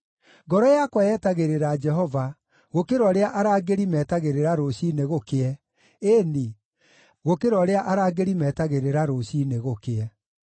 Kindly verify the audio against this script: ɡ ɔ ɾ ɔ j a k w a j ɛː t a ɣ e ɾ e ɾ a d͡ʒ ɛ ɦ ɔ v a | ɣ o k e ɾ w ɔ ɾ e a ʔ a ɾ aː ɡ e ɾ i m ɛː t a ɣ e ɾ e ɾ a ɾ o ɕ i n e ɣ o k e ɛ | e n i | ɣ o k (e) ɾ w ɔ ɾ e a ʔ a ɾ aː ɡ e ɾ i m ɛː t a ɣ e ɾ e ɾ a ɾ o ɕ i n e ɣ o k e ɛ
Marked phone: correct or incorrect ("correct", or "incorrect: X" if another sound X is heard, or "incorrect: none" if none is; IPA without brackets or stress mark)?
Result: correct